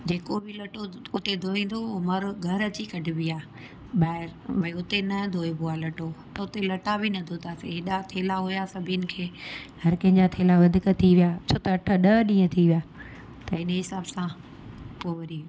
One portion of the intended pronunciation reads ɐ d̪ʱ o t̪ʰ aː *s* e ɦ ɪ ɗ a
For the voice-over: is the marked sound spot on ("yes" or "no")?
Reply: yes